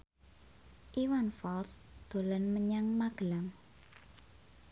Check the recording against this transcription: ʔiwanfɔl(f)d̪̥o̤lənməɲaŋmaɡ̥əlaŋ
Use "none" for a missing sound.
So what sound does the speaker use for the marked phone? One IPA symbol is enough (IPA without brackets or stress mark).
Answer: s